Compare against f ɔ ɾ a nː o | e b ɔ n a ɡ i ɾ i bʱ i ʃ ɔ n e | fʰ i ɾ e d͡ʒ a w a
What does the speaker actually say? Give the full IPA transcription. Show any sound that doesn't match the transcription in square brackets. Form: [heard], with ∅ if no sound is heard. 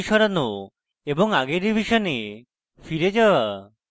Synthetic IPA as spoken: [ʃ] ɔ ɾ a [n] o | e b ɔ [ŋ] a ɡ [e] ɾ i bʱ i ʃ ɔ n e | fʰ i ɾ e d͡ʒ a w a